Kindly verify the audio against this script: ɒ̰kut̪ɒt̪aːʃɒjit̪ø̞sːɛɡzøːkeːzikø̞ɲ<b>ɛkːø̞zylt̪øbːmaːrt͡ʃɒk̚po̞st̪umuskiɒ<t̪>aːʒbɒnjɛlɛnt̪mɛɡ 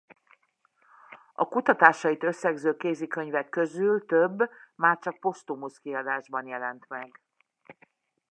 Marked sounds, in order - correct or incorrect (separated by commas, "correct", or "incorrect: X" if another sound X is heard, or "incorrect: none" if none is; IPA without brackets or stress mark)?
incorrect: v, incorrect: d̪